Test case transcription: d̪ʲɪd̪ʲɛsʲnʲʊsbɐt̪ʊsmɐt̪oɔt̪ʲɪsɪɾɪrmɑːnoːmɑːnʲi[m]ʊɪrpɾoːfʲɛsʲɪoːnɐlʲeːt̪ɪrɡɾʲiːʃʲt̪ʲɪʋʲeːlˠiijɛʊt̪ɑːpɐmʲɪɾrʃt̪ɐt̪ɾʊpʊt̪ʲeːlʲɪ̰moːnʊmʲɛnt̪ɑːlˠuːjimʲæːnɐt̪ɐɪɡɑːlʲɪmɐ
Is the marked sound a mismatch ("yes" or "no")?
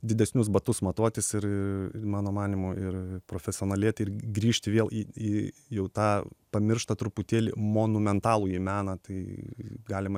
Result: no